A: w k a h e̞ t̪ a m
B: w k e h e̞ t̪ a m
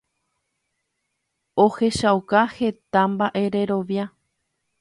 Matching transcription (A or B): A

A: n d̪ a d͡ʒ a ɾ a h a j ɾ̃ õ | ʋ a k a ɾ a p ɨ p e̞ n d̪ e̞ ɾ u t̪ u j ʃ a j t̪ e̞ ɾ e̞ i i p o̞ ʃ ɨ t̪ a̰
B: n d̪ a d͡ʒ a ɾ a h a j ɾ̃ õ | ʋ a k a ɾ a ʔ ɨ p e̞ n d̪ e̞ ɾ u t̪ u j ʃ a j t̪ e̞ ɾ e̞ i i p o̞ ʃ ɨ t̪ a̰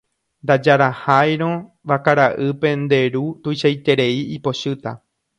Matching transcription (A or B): B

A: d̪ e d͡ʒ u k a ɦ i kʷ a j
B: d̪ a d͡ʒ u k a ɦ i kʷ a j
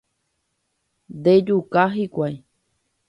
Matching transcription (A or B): A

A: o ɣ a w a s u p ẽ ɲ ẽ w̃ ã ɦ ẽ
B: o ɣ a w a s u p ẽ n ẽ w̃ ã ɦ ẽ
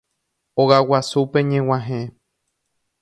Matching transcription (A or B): A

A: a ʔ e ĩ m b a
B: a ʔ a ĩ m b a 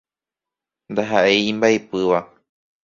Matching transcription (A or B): A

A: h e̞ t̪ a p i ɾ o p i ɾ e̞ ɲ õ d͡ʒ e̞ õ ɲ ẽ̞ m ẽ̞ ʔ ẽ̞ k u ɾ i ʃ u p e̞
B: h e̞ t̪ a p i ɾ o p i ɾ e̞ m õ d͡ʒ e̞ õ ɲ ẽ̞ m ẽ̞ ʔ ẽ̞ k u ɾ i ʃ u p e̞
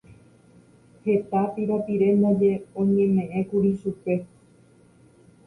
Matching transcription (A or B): B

